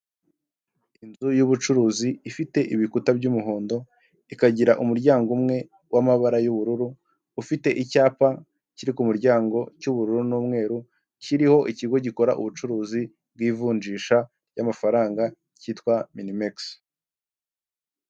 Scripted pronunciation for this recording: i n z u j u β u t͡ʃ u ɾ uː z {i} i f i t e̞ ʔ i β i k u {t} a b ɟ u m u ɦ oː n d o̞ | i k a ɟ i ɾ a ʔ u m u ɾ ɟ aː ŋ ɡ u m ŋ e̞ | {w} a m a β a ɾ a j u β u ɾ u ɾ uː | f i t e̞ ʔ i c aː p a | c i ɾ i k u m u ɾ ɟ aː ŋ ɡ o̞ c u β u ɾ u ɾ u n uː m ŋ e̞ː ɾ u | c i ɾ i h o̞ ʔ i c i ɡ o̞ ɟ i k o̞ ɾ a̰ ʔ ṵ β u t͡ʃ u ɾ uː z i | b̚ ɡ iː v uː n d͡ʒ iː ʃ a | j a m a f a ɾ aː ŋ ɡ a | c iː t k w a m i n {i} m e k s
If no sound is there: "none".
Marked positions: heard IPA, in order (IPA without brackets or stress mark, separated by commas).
i, t, w, i